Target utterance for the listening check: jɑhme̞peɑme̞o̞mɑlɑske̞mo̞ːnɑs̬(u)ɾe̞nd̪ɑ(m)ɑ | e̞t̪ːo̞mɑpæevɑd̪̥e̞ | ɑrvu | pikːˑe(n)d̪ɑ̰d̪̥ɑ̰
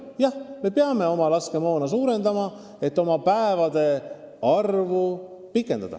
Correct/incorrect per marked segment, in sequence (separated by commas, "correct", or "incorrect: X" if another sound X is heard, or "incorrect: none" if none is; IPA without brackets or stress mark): incorrect: uː, correct, correct